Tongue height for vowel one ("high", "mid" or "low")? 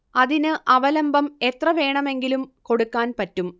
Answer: low